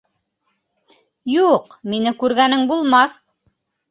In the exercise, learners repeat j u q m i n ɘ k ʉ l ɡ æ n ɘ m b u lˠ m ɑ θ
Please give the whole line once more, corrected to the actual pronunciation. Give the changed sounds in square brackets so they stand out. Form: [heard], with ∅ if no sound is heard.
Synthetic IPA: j u q m i n ɘ k ʉ [ɾ] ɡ æ n ɘ [ŋ] b u lˠ m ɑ θ